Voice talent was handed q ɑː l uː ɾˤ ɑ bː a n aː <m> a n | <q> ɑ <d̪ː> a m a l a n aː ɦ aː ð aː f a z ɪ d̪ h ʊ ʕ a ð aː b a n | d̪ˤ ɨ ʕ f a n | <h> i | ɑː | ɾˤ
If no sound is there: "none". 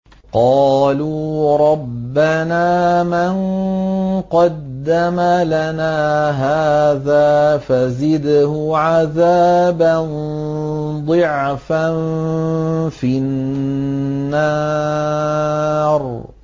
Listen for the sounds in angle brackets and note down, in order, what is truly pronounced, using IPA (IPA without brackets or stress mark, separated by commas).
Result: m, q, d̪ː, f